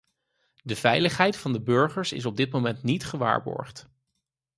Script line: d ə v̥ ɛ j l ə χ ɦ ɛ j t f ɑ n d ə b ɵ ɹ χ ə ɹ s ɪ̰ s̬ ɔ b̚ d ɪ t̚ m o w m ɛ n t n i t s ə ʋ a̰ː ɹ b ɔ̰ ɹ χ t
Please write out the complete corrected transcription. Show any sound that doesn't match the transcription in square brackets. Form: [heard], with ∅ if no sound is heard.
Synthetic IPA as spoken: d ə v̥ ɛ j l ə χ ɦ ɛ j t f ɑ n d ə b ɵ ɹ χ ə ɹ s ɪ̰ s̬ ɔ b̚ d ɪ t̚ m o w m ɛ n t n i t [χ] ə ʋ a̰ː ɹ b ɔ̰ ɹ χ t